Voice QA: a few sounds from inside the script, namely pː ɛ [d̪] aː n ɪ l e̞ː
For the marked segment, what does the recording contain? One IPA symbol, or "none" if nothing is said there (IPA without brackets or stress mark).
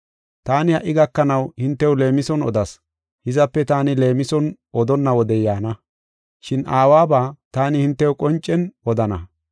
t̪